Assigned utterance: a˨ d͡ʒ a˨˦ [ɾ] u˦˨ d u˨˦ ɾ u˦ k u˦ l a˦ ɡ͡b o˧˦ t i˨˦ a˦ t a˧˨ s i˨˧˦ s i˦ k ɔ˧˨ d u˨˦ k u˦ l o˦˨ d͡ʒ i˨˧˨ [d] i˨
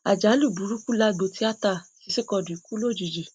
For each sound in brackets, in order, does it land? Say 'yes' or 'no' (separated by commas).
no, no